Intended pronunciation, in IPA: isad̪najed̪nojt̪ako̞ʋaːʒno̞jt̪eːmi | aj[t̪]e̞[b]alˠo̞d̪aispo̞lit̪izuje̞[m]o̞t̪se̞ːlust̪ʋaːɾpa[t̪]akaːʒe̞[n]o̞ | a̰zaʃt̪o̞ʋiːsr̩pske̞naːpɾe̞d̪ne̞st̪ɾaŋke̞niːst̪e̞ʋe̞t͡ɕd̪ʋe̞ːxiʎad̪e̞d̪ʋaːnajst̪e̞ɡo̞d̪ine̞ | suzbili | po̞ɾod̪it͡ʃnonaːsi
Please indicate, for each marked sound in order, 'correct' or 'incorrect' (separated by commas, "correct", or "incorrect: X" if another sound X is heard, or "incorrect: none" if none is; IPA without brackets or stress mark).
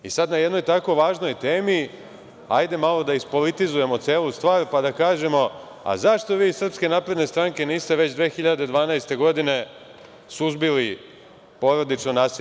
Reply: incorrect: d̪, incorrect: m, correct, incorrect: d̪, incorrect: m